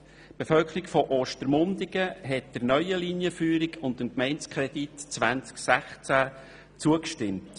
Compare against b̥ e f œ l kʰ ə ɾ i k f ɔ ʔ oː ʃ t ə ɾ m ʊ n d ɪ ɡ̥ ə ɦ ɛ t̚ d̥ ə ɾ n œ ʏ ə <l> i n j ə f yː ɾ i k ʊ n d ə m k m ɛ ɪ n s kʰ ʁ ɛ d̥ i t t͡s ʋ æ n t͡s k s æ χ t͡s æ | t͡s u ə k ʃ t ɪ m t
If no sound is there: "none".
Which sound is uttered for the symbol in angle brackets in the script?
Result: l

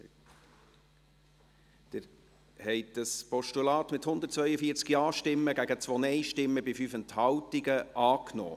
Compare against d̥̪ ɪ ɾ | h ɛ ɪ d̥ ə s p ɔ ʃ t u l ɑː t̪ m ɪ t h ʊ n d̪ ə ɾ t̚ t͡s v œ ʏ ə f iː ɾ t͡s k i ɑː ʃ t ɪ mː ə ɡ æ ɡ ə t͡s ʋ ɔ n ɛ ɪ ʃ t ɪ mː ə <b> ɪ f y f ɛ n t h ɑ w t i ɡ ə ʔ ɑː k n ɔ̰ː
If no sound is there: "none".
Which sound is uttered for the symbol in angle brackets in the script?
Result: b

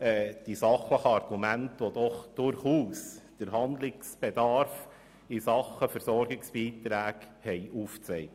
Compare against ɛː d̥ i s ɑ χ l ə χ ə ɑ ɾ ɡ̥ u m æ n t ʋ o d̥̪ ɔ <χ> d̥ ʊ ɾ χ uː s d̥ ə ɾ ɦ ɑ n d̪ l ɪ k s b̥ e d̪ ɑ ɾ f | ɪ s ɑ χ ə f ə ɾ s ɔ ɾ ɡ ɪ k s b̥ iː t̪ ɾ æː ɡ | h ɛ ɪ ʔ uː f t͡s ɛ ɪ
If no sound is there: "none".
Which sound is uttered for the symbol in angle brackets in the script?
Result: χ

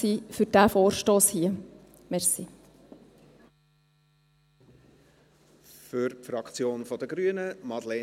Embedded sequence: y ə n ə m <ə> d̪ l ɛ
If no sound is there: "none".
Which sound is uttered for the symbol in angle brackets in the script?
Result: ɑ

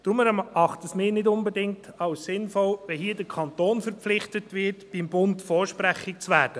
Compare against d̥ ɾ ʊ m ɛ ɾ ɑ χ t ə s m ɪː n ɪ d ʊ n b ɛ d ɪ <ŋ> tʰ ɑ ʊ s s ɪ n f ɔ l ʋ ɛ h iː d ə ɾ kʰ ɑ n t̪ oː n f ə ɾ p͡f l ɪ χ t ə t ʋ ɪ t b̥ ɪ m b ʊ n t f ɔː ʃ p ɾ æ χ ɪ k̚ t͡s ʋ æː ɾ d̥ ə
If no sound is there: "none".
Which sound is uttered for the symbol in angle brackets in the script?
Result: ŋ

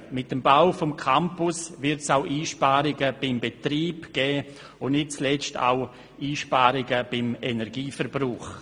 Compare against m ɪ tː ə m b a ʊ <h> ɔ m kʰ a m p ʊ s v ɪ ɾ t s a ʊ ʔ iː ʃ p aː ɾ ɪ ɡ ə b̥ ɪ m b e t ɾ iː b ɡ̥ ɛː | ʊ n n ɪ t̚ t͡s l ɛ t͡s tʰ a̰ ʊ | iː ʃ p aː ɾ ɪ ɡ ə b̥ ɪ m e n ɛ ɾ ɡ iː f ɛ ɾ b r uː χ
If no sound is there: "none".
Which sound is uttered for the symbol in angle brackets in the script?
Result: f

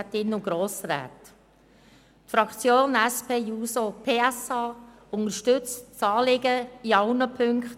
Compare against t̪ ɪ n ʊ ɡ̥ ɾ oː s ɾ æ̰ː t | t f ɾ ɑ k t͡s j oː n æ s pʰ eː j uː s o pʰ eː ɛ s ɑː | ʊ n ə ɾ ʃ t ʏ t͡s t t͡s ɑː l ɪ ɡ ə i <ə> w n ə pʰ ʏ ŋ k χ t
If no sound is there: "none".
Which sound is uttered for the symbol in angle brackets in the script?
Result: ɑ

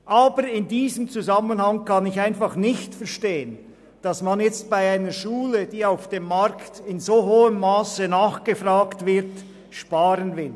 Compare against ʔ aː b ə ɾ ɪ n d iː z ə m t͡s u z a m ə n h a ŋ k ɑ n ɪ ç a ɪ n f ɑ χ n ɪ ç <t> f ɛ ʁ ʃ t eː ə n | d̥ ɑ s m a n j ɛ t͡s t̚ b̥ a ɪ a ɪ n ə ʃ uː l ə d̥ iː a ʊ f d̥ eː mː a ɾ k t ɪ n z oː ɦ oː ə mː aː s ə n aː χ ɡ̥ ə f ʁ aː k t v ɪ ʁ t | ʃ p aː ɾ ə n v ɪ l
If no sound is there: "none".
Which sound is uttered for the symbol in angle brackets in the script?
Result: t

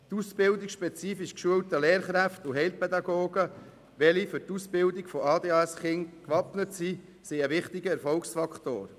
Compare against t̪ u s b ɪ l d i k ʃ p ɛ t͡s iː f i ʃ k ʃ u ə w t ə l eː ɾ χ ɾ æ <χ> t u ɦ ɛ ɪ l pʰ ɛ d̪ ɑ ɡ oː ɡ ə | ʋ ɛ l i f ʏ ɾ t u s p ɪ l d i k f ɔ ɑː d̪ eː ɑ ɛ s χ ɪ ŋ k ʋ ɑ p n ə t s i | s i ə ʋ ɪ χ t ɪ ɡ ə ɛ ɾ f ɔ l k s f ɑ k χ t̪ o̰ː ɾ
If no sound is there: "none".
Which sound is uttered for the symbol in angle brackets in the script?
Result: f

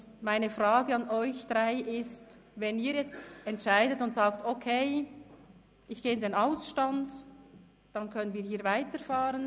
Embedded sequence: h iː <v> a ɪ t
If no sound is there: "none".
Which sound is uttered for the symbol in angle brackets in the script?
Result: v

